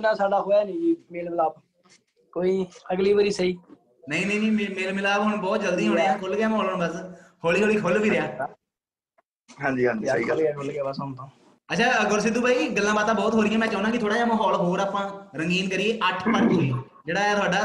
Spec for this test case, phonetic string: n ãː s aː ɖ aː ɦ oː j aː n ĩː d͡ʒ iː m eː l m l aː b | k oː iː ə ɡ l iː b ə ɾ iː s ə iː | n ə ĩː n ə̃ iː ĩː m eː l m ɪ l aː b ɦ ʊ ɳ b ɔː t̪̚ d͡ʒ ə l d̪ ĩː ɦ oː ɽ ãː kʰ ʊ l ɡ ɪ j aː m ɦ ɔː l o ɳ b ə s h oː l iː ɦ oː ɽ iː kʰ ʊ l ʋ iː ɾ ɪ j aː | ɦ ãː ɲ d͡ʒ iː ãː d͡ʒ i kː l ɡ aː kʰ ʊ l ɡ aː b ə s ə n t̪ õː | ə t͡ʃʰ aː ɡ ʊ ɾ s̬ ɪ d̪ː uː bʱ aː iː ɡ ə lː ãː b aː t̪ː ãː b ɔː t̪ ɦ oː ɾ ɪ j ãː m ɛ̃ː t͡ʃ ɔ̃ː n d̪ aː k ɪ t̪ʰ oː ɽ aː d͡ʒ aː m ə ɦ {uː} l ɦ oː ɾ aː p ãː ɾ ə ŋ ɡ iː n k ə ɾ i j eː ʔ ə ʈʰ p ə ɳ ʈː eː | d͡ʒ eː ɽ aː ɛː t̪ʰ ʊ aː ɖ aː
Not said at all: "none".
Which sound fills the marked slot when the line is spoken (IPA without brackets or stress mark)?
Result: ɔː